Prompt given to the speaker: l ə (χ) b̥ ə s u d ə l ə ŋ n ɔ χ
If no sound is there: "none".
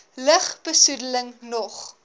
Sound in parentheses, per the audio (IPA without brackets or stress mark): χ